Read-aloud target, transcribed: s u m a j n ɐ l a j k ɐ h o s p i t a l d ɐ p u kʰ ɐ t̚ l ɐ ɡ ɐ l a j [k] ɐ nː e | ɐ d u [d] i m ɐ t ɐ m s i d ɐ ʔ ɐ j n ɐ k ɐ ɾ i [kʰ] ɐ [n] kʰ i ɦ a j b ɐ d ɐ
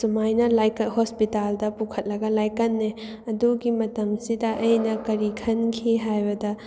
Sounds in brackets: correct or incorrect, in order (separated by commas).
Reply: correct, incorrect, correct, correct